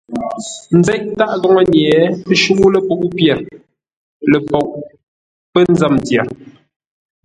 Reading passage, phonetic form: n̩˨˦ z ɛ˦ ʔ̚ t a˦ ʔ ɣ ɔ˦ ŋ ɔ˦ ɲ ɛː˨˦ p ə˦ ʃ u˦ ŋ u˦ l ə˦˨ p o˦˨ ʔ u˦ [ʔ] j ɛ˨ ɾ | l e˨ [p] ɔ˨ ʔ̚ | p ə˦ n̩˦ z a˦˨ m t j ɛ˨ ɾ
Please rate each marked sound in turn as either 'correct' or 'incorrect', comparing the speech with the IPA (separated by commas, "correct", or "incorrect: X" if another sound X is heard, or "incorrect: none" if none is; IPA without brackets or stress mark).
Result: incorrect: p, correct